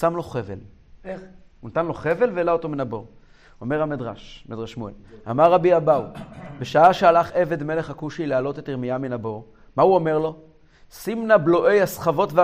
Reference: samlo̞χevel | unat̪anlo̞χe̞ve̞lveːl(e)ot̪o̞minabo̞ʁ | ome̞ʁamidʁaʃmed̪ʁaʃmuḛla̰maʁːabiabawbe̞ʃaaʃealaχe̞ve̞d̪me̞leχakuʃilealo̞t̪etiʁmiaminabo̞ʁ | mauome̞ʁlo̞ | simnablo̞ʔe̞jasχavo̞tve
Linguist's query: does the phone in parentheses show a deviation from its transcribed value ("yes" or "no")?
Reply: yes